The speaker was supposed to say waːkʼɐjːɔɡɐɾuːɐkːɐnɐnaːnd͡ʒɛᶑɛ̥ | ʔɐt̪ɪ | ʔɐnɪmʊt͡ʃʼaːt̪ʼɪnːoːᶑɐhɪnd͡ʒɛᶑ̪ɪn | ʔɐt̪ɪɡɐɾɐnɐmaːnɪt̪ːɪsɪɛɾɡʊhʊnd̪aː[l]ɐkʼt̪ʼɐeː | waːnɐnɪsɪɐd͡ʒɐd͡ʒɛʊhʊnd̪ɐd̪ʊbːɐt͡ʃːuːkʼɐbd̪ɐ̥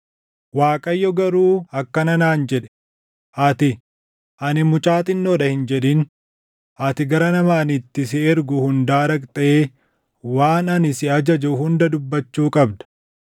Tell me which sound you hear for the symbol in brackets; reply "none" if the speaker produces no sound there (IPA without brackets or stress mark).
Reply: ɾ